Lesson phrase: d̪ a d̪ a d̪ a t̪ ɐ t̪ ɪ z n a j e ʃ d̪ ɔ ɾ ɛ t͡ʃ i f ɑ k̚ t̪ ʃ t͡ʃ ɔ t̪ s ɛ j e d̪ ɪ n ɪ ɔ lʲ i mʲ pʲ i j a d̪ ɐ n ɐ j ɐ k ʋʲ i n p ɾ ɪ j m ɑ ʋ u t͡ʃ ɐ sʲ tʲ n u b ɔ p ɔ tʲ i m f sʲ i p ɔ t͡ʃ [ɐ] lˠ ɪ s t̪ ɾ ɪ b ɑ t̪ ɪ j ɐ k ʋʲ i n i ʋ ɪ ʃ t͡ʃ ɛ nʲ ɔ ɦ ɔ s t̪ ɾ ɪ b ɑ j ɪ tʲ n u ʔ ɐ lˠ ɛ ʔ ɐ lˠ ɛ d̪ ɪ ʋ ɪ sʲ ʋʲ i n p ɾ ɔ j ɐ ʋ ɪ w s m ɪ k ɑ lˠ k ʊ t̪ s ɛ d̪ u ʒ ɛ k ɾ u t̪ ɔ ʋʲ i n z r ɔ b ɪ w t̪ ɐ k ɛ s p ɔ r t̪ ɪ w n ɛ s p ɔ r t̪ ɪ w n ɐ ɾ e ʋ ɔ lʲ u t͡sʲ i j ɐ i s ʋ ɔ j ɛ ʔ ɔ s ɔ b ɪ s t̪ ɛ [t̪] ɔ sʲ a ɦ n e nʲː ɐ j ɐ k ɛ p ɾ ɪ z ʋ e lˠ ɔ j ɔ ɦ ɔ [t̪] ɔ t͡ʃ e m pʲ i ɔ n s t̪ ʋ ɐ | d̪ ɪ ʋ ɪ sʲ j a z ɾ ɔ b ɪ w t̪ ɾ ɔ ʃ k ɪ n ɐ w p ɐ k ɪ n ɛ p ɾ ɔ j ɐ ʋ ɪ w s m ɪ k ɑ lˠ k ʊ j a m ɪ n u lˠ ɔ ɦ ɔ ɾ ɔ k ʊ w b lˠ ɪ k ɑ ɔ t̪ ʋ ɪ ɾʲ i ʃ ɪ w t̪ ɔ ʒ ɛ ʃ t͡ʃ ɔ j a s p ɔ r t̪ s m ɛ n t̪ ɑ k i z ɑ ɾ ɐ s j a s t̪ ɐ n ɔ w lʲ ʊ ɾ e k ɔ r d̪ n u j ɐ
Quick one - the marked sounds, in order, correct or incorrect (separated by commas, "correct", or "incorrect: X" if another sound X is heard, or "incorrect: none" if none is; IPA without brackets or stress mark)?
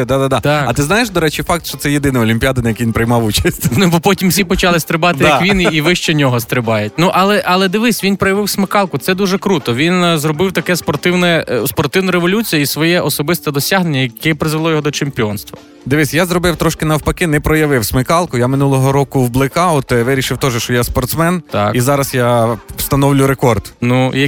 incorrect: ɑ, incorrect: d̪, incorrect: d̪